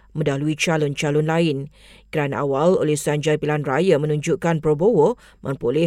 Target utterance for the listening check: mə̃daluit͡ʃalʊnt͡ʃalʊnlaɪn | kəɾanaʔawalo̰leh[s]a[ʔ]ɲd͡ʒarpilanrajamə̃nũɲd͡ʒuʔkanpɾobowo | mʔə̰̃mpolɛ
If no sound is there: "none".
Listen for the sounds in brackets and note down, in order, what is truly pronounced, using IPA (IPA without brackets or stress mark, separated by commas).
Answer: s, none